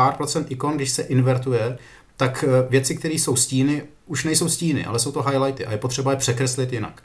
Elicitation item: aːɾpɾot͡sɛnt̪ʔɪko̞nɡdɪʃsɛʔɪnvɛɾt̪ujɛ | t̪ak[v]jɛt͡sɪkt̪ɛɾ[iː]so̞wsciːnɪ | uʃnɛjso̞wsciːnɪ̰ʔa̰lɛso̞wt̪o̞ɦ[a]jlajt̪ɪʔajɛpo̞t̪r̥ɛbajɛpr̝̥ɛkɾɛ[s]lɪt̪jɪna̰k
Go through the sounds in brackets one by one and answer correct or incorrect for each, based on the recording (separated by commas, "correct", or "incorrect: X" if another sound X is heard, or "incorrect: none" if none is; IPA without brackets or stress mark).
correct, correct, correct, correct